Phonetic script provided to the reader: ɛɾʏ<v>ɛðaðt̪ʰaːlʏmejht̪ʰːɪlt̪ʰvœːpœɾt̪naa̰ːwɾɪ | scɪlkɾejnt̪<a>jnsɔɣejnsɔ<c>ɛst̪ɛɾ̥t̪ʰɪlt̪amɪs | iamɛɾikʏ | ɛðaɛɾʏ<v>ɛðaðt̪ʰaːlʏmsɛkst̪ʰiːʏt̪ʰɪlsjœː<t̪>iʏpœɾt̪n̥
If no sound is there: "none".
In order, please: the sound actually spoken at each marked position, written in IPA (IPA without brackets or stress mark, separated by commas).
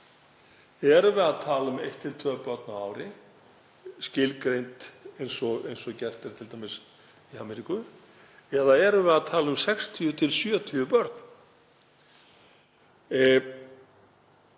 v, e, c, v, t̪ʰ